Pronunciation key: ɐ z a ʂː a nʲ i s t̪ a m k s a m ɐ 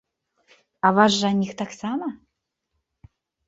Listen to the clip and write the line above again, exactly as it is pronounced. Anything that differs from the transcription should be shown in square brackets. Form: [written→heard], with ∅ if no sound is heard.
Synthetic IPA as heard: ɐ [z→v] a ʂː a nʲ i [s→x] t̪ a [m→∅] k s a m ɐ